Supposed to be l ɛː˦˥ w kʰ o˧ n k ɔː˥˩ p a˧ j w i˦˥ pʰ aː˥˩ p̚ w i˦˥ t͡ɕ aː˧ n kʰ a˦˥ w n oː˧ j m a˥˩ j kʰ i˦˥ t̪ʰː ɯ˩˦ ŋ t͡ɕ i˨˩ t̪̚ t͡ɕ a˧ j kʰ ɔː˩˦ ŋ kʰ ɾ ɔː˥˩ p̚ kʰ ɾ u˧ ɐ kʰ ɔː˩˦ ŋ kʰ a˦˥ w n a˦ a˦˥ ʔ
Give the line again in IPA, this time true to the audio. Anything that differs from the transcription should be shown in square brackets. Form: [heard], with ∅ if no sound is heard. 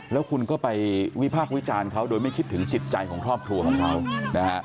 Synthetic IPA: l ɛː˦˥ w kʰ [u˧] n k ɔː˥˩ p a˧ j w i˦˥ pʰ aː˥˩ [k̚] w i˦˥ t͡ɕ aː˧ n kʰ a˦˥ w [d] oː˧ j m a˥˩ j kʰ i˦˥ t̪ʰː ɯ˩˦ ŋ t͡ɕ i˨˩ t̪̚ t͡ɕ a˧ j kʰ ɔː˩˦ ŋ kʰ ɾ ɔː˥˩ p̚ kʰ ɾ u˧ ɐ kʰ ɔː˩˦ ŋ kʰ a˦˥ w n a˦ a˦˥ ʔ